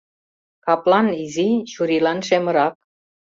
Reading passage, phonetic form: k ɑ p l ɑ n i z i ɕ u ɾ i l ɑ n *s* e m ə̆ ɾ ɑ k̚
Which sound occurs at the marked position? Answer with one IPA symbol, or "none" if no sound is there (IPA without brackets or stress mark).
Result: ʃ